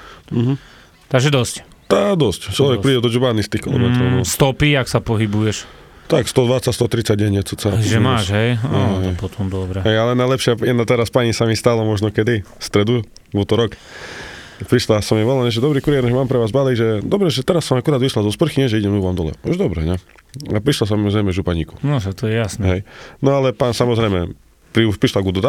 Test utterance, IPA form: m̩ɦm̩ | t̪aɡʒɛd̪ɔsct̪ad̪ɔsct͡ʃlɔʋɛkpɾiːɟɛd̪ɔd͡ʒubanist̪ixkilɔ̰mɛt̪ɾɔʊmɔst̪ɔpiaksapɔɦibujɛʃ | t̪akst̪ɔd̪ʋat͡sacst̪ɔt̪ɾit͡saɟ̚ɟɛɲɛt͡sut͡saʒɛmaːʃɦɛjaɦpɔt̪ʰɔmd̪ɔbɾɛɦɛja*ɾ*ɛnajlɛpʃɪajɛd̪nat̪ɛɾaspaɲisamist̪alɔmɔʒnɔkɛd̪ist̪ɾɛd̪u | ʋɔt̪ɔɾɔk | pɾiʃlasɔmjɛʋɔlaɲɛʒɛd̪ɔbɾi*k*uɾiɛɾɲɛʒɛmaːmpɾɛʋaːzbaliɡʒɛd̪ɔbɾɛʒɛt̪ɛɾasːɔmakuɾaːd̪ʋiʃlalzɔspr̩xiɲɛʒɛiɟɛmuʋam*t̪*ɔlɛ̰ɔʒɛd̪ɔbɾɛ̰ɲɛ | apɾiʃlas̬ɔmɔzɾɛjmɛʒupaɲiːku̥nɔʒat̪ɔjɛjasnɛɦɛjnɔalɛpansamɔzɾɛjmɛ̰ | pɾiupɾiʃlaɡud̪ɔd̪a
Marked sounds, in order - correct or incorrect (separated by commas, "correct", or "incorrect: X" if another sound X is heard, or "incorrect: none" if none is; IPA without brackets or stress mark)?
incorrect: l, correct, incorrect: d̪